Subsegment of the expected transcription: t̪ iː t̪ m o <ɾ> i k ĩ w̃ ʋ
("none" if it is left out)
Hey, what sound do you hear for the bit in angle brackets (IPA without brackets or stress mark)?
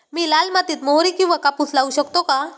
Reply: ɾ